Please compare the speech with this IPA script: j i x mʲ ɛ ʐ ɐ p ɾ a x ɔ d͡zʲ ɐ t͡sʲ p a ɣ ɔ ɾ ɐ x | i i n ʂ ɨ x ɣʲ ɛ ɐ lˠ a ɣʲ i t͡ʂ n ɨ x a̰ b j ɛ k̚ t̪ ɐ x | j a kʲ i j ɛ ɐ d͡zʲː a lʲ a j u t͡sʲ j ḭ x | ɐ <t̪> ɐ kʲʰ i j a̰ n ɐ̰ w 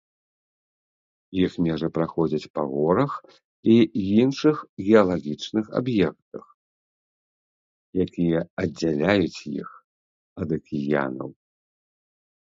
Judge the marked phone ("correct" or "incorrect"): incorrect